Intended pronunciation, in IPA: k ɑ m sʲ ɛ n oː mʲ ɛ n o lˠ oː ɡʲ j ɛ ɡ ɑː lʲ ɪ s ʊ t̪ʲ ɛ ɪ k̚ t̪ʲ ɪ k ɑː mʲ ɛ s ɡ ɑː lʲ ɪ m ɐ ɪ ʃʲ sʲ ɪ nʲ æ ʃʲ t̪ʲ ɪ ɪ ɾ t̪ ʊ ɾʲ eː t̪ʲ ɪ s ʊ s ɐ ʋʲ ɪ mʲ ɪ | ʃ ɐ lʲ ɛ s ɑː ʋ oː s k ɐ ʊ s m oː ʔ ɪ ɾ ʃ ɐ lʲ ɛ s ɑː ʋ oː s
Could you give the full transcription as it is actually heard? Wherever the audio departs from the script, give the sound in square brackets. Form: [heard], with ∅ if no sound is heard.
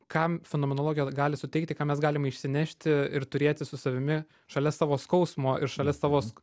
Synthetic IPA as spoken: k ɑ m [fʲ] ɛ n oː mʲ ɛ n o lˠ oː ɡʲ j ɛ ɡ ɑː lʲ ɪ s ʊ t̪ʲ ɛ ɪ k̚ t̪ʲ ɪ k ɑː mʲ ɛ s ɡ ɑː lʲ ɪ m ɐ ɪ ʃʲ sʲ ɪ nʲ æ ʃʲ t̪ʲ ɪ ɪ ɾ t̪ ʊ ɾʲ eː t̪ʲ ɪ s ʊ s ɐ ʋʲ ɪ mʲ ɪ | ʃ ɐ lʲ ɛ s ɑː ʋ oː s k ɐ ʊ s m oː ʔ ɪ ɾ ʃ ɐ lʲ ɛ s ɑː ʋ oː s